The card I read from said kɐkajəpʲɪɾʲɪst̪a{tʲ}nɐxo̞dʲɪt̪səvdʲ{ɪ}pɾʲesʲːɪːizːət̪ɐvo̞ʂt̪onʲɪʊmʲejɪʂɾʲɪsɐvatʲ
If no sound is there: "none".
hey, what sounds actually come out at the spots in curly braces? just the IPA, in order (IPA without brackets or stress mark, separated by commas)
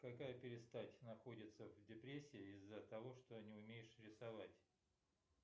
tʲ, ɪ